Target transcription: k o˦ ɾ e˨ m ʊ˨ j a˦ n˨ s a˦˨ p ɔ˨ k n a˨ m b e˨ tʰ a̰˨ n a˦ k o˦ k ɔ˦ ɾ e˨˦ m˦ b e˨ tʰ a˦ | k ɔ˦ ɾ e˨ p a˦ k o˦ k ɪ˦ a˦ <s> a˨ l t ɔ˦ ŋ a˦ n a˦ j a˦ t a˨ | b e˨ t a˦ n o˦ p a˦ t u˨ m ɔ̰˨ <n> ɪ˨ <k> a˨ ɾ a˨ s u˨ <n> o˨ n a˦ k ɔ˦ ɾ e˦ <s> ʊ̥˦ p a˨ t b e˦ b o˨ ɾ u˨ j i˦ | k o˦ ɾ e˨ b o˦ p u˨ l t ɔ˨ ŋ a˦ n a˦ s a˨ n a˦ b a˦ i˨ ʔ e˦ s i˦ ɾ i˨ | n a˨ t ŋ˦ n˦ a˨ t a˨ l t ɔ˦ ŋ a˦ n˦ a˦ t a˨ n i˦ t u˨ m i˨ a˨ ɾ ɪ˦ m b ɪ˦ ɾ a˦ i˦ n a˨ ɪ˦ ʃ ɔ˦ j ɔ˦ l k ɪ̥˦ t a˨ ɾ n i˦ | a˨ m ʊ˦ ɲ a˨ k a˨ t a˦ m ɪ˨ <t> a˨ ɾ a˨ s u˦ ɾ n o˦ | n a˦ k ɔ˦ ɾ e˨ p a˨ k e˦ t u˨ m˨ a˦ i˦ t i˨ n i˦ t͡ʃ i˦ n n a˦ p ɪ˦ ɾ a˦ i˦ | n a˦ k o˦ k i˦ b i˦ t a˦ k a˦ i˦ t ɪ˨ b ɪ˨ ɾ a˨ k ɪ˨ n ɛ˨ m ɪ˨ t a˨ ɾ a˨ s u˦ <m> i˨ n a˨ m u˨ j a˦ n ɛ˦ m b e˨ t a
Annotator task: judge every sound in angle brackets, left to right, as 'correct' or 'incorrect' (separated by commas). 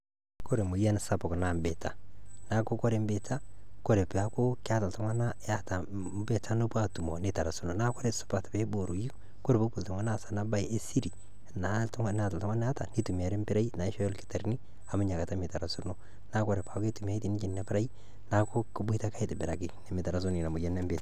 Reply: incorrect, correct, incorrect, correct, correct, correct, incorrect